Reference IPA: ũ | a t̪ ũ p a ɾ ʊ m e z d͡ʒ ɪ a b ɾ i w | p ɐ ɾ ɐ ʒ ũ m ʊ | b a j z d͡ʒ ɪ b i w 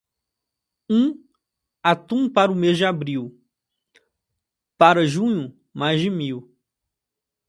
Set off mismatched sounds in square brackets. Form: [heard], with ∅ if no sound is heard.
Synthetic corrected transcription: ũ | a t̪ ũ p a ɾ ʊ m e z d͡ʒ ɪ a b ɾ i w | p [a] ɾ ɐ ʒ ũ [ɲ] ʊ | [m] a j z d͡ʒ ɪ [m] i w